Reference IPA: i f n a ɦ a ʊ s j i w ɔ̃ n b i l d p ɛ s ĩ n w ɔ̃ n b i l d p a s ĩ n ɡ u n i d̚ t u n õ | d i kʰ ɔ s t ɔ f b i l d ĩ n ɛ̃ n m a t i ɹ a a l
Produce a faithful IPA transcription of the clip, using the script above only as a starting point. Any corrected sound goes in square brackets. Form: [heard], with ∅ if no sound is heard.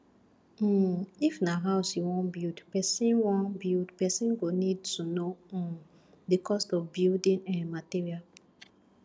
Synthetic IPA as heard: i f n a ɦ a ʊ s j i w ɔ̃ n b i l d p ɛ s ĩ n w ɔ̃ n b i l d p [ɛ] s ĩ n ɡ [o] n i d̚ t u n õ | d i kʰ ɔ s t ɔ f b i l d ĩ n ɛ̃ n m a t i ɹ [i] a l